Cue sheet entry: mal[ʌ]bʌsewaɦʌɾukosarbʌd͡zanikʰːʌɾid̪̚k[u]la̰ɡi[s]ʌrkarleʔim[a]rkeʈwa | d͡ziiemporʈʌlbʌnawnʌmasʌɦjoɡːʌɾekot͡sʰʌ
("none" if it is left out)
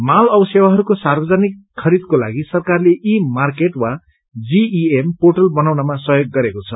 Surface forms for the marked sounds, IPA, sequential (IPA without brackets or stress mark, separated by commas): ʌ, o, s, a